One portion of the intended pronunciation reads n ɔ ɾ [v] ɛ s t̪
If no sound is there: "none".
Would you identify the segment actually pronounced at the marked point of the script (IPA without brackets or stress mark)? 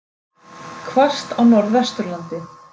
ð